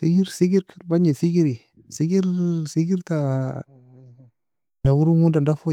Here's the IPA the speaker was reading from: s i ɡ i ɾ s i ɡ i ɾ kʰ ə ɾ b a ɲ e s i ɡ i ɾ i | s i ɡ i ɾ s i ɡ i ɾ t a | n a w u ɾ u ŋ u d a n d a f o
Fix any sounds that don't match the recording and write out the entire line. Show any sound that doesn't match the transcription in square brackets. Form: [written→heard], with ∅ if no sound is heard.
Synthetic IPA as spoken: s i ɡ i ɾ s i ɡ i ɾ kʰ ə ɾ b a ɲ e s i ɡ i ɾ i | s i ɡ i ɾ s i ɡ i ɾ t a | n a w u ɾ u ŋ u d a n d a f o